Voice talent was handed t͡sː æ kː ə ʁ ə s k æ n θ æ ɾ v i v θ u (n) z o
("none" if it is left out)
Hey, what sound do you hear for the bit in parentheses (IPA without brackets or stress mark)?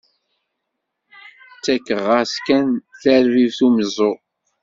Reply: m